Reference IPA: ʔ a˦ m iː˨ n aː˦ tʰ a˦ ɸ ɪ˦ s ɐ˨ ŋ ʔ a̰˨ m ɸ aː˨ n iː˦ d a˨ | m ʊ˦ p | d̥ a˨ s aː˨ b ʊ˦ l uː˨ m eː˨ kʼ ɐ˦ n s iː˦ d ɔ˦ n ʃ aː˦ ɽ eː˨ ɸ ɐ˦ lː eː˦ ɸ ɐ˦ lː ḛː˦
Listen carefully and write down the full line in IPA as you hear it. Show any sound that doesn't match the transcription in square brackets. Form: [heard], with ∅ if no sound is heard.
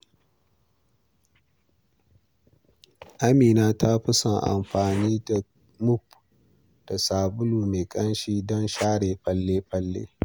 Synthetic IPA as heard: ʔ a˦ m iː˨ n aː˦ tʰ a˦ ɸ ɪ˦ s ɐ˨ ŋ ʔ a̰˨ m ɸ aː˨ n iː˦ d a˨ | m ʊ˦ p | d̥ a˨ s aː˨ b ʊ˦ l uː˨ m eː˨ kʼ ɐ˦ n [ʃ] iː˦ d ɔ˦ n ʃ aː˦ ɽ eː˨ ɸ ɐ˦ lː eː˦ ɸ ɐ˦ lː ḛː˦